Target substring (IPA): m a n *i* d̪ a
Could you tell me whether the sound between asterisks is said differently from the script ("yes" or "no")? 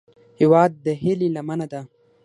yes